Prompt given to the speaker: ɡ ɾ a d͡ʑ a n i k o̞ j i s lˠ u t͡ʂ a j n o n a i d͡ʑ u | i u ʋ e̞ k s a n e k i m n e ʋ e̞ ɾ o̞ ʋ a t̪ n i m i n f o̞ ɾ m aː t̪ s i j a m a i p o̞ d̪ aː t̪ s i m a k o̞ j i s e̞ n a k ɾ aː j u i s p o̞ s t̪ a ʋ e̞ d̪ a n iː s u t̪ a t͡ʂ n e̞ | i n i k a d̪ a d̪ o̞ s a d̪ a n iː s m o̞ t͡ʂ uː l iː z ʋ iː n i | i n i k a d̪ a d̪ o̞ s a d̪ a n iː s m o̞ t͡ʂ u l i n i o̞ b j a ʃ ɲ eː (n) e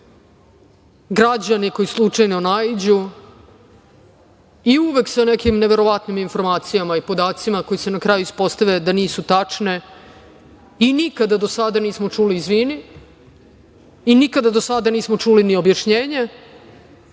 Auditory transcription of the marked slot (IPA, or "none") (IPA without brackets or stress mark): ɲ